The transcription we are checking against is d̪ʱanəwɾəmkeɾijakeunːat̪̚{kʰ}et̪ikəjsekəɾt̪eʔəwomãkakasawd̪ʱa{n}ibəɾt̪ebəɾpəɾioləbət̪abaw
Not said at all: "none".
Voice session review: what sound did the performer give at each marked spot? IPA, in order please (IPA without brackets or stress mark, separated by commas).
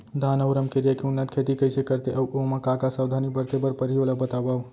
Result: kʰ, n